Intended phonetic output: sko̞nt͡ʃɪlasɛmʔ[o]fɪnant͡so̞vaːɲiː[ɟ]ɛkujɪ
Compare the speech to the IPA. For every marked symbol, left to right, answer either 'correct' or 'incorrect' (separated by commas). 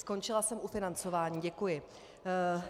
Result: incorrect, correct